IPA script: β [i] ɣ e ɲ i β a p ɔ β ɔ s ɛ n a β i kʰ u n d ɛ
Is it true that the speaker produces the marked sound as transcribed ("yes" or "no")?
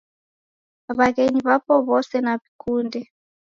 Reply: no